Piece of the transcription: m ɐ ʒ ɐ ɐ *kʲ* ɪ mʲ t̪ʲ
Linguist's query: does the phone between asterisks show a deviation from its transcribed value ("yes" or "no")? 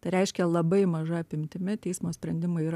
yes